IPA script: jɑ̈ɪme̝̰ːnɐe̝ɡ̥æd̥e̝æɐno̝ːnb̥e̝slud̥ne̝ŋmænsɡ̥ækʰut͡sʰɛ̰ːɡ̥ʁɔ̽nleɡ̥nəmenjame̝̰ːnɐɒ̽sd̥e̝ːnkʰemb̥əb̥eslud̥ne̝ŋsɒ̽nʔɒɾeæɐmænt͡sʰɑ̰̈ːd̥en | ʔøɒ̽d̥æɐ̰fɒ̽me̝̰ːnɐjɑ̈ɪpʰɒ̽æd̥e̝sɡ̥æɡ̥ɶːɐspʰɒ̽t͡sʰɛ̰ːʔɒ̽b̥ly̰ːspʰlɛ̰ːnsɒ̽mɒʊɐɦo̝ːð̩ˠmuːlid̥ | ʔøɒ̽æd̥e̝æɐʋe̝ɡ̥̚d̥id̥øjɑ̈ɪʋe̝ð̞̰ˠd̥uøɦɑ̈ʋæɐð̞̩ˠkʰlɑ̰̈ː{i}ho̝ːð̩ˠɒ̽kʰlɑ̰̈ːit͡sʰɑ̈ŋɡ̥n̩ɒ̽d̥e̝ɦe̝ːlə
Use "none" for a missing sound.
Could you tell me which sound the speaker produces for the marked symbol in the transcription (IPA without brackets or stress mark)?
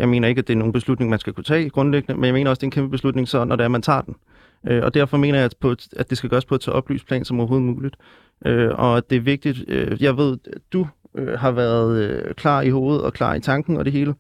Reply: i